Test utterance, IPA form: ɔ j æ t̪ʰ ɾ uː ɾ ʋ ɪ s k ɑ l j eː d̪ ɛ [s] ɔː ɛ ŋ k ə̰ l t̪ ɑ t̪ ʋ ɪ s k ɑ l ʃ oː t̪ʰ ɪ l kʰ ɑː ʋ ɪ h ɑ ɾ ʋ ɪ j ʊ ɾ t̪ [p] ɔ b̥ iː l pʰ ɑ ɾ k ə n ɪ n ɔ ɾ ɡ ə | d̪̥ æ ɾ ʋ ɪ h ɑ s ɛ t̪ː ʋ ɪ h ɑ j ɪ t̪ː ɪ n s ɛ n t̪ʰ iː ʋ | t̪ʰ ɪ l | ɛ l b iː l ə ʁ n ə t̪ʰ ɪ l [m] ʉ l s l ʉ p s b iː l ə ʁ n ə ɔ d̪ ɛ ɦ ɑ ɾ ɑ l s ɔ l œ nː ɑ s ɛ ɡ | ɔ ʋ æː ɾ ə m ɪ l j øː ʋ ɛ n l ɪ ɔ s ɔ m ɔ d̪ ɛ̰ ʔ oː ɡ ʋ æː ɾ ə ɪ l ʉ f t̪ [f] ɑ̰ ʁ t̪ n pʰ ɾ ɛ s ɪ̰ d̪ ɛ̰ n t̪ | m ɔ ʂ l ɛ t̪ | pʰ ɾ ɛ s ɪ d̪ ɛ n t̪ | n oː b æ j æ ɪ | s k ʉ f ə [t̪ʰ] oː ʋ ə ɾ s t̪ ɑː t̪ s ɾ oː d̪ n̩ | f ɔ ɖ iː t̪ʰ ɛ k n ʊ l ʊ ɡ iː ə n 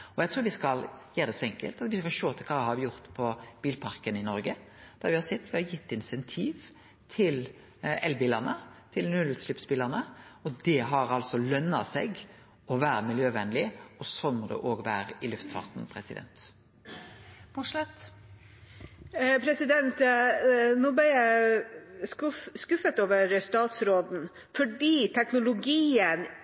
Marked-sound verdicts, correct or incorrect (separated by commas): correct, incorrect, incorrect, correct, incorrect